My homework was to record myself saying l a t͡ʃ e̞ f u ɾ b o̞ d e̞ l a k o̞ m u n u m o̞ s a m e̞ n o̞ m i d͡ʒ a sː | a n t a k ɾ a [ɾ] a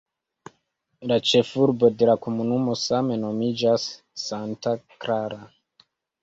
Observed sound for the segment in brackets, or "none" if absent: ɾ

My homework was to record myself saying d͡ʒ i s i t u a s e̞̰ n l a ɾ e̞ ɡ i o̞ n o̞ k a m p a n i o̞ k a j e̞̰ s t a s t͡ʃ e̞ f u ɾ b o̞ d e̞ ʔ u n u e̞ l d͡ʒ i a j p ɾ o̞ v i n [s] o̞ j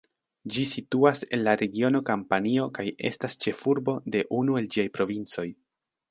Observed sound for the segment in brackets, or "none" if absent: t͡s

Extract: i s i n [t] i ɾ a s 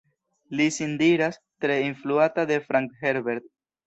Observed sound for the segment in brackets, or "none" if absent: d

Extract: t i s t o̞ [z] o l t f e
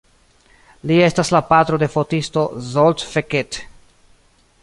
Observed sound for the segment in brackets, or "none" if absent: z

